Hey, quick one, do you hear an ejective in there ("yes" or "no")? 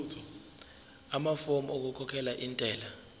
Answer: yes